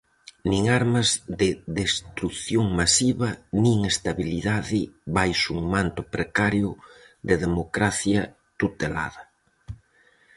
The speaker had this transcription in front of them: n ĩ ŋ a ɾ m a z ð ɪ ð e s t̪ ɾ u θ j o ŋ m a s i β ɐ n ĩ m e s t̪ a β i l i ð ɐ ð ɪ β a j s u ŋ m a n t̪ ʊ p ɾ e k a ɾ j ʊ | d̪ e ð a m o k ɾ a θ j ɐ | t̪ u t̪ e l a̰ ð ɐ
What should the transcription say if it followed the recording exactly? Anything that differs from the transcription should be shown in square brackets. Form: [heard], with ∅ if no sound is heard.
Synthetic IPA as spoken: n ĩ ŋ a ɾ m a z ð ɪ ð e s t̪ ɾ u θ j o ŋ m a s i β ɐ n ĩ [ŋ] e s t̪ a β i l i ð [a] ð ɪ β a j s u ŋ m a n t̪ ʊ p ɾ e k a ɾ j ʊ | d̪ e ð [e] m o k ɾ a θ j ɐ | t̪ u t̪ e l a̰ ð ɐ